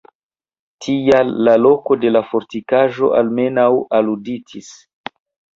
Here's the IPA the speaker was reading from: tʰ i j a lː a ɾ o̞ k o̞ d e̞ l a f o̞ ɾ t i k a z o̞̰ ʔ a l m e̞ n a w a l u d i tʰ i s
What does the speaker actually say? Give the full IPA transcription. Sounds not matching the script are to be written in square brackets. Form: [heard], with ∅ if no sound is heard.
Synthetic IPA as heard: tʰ i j a lː a [l] o̞ k o̞ d e̞ l a f o̞ ɾ t i k a [ʒ] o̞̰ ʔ a l m e̞ n a w a l u d i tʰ i s